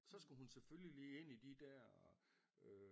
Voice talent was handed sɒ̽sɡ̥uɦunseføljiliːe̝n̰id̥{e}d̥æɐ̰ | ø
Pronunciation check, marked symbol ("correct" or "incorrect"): incorrect